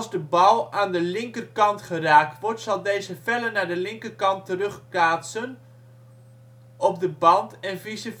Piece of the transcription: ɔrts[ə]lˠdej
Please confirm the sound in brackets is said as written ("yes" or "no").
no